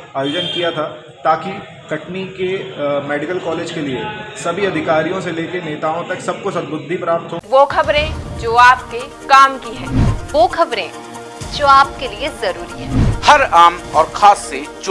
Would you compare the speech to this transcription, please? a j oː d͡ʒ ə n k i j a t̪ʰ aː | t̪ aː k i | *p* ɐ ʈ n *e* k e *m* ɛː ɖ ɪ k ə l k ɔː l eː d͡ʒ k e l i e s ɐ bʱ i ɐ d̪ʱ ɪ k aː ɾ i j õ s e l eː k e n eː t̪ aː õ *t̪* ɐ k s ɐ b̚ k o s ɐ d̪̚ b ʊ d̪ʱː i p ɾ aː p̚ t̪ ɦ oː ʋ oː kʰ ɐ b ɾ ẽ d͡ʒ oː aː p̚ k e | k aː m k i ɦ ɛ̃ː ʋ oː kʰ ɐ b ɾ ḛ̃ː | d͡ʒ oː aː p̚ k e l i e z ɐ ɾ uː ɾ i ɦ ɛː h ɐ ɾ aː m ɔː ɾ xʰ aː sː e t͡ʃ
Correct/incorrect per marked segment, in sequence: incorrect: k, incorrect: i, correct, correct

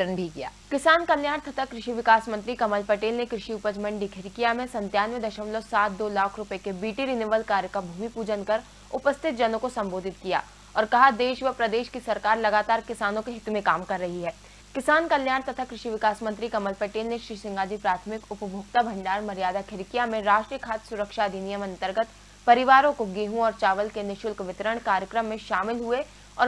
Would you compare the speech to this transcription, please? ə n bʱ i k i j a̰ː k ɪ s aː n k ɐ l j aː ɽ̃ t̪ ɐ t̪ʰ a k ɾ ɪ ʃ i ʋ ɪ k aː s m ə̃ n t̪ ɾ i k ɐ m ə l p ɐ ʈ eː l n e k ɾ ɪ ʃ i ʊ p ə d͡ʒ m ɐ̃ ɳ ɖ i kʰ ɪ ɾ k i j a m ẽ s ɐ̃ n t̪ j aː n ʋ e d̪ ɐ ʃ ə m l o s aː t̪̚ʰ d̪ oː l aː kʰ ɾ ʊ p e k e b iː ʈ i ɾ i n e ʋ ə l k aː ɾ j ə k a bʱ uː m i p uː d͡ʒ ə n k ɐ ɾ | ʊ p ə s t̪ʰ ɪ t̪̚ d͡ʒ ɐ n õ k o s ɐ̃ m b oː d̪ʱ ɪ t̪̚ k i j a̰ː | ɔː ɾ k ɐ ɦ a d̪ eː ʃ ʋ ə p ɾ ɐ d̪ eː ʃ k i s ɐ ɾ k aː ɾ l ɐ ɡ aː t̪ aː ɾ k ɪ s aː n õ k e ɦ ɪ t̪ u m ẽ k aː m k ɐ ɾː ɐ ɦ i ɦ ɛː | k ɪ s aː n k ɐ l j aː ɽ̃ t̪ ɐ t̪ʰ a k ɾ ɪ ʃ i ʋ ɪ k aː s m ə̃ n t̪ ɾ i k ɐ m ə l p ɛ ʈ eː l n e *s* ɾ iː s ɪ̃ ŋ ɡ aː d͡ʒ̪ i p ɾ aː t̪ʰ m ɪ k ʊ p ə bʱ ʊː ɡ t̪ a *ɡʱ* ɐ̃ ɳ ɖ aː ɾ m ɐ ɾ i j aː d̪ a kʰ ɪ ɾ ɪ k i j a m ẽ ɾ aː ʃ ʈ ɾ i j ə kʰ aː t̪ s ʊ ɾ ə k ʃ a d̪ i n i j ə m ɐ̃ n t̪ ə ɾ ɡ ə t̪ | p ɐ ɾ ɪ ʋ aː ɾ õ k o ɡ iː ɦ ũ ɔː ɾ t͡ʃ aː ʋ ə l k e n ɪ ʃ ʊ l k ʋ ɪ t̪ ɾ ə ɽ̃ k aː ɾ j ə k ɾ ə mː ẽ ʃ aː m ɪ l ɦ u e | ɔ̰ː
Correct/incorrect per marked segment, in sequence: incorrect: ʃ, incorrect: bʱ

